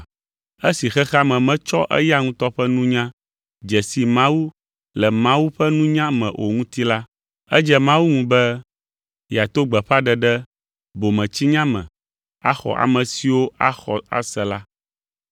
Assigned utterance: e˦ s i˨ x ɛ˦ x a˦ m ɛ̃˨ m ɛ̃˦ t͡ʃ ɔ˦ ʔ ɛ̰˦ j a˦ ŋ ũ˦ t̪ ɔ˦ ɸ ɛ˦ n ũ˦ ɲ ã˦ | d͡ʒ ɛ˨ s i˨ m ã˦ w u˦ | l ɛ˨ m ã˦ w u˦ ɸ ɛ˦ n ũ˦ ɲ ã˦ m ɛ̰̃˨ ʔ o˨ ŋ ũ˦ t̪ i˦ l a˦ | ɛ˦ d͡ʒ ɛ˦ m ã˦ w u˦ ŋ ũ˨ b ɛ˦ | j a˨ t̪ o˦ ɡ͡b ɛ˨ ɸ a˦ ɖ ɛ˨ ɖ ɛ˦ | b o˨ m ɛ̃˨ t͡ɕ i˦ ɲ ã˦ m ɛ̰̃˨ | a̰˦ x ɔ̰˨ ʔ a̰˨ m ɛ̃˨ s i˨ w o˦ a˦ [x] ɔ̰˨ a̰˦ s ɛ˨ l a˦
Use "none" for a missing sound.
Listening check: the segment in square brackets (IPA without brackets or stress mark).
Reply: x